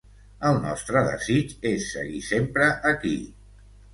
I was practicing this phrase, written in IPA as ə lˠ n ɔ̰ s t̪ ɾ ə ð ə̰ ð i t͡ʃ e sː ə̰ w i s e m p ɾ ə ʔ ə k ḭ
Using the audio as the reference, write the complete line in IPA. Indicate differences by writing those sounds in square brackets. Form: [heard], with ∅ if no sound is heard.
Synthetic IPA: ə lˠ n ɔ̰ s t̪ ɾ ə ð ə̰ [z] i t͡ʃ e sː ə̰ [ɣ] i s e m p ɾ ə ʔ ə k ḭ